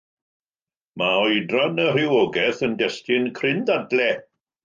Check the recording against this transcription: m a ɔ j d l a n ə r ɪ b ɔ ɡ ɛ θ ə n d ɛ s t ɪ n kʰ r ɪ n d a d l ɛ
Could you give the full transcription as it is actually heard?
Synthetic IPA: m a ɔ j d r a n ə r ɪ w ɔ ɡ ɛ θ ə n d ɛ s t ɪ n kʰ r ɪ n d a d l ɛ